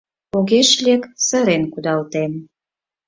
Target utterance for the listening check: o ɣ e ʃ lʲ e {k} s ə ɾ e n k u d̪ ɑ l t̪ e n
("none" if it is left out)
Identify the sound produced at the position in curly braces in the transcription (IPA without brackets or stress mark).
k